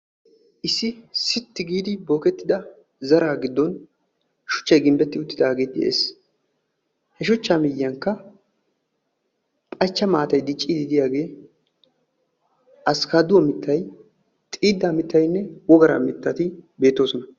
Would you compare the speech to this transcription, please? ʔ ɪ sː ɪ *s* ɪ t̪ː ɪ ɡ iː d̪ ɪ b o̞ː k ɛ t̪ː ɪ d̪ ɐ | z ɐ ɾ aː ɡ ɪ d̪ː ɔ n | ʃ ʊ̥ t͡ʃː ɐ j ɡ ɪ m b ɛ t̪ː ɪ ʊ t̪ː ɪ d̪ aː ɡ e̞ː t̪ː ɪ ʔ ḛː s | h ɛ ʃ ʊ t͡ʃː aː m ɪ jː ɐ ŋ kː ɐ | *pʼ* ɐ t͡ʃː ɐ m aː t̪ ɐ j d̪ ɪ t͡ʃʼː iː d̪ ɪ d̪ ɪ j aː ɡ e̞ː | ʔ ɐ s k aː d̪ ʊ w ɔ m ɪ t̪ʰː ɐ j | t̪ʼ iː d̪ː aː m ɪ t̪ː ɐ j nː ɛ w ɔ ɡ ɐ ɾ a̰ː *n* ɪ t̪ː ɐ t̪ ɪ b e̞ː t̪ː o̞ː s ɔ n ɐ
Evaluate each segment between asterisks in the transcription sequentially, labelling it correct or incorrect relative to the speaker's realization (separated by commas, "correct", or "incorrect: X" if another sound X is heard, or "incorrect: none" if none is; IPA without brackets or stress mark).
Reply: correct, correct, incorrect: m